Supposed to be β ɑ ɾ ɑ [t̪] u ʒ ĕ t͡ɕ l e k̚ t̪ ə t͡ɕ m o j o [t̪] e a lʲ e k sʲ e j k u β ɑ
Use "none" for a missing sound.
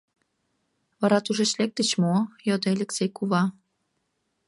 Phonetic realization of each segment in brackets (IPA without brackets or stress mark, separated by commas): t̪, d̪